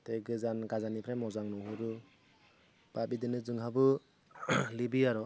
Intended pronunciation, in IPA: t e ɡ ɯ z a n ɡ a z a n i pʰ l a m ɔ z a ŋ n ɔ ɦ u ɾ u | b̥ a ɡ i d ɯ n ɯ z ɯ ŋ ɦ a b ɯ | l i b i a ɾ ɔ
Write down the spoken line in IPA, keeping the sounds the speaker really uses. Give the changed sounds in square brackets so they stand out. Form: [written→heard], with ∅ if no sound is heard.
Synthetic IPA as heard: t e ɡ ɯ z a n ɡ a z a n i pʰ [l→ɾ] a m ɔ z a ŋ n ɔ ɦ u ɾ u | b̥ a [ɡ→b] i d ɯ n ɯ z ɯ ŋ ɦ a b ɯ | l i b i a ɾ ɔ